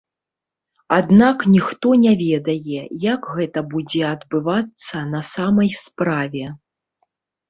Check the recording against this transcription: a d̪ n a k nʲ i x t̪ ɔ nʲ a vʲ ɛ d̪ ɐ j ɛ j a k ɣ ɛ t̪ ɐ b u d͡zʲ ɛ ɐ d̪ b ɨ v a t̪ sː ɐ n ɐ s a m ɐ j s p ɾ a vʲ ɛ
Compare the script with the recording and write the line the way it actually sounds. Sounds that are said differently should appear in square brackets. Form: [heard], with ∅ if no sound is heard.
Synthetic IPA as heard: a d̪ n a k nʲ i x t̪ ɔ nʲ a vʲ ɛ d̪ ɐ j ɛ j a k ɣ ɛ t̪ ɐ b u d͡zʲ ɛ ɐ d̪ b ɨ v a t̪ sː ɐ n ɐ s a m ɐ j s p ɾ a vʲ ɛ